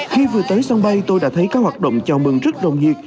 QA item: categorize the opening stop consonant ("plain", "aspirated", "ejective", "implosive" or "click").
plain